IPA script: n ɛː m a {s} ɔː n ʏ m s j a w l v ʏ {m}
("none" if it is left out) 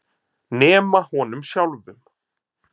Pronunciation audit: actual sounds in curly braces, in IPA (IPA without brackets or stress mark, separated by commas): h, m